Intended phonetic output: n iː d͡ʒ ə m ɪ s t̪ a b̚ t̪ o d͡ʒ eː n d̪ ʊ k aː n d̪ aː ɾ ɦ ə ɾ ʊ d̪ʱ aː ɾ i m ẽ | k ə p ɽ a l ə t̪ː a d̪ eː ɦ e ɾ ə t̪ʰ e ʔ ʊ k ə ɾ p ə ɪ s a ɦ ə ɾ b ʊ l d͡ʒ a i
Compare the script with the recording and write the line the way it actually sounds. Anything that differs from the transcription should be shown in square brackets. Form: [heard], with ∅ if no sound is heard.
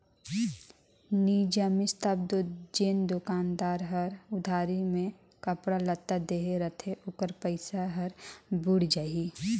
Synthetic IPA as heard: n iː d͡ʒ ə m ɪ s t̪ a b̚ [d̪] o d͡ʒ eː n d̪ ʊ k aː n d̪ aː ɾ ɦ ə ɾ ʊ d̪ʱ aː ɾ i m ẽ | k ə p ɽ a l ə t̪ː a d̪ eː ɦ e ɾ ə t̪ʰ e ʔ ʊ k ə ɾ p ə ɪ s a ɦ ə ɾ b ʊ [ɽ] d͡ʒ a i